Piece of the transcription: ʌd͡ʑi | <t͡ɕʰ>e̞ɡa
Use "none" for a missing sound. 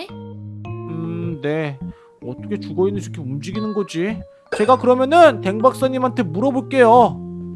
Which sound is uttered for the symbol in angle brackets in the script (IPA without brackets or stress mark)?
t͡ɕ